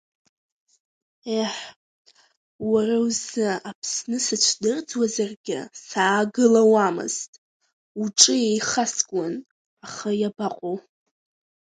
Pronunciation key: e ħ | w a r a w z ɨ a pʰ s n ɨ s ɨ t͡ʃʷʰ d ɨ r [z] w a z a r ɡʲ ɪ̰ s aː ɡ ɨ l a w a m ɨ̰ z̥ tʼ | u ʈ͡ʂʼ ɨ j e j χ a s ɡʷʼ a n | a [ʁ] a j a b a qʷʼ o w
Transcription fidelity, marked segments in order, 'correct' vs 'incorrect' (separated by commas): incorrect, incorrect